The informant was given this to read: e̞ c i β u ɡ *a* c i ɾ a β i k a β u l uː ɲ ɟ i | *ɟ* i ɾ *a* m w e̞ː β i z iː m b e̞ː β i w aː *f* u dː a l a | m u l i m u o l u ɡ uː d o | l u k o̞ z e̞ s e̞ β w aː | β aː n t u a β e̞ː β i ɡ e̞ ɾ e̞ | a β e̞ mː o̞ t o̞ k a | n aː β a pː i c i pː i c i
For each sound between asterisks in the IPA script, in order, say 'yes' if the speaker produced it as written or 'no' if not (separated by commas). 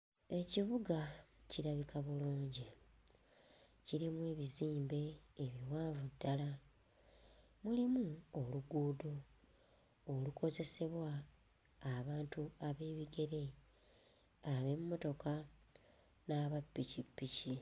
yes, no, no, no